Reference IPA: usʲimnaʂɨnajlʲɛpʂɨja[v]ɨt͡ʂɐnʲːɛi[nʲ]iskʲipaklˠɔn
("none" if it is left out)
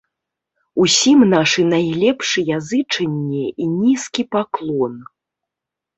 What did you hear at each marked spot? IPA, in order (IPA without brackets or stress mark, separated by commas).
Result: z, nʲ